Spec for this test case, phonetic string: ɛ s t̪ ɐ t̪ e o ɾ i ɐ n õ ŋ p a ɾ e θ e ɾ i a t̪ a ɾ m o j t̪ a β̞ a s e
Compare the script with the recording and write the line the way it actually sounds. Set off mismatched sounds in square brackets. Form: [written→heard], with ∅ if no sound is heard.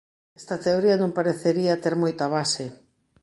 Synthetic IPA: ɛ s t̪ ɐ t̪ e o ɾ i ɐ n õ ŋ p a ɾ e θ e ɾ i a t̪ [a→e] ɾ m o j t̪ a β̞ a s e